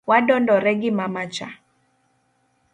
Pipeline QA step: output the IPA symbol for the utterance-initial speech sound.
w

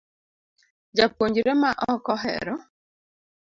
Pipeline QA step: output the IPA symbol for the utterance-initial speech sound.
d͡ʒ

